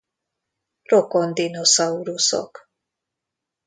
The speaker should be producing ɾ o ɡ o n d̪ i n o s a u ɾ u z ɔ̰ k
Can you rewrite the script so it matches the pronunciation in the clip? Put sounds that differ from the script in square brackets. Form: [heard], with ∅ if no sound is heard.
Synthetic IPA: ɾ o [k] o n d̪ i n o s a u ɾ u [s] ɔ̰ k